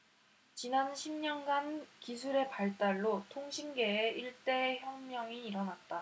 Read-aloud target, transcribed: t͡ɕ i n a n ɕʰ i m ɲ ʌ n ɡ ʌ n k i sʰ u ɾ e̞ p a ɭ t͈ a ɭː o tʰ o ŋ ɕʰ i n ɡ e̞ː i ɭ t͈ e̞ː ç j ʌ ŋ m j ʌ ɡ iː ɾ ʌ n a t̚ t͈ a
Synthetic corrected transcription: t͡ɕ i n a n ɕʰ i m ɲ ʌ n ɡ a n k i sʰ u ɾ e̞ p a ɭ t͈ a ɭː o tʰ o ŋ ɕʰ i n ɡ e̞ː i ɭ t͈ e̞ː ç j ʌ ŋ m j ʌ ŋ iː ɾ ʌ n a t̚ t͈ a